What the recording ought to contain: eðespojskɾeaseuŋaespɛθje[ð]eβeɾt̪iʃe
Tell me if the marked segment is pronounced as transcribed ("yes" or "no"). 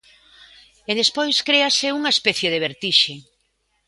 yes